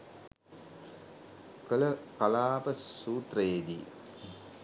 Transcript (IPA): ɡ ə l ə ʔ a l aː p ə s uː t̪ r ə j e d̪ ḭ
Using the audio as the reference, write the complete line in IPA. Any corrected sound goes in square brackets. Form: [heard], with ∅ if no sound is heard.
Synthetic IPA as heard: [k] ə l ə [k] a l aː p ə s uː t̪ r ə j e d̪ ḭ